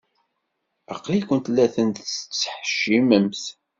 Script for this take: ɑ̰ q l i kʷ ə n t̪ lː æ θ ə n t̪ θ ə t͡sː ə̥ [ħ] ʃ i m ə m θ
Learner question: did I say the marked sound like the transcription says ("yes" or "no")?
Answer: yes